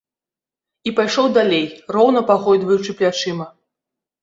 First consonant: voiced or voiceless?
voiceless